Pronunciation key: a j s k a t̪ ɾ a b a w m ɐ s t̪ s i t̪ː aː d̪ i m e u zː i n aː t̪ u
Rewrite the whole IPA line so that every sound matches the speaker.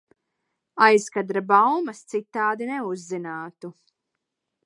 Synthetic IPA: a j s k a d̪ ɾ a b a w m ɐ s t̪ s i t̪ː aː d̪ i n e u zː i n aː t̪ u